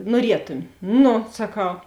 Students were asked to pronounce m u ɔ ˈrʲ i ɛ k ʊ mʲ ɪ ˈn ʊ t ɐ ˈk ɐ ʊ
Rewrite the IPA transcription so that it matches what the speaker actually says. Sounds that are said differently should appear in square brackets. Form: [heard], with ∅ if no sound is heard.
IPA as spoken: [n] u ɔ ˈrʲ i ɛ [t] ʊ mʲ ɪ ˈn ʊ [s] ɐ ˈk ɐ ʊ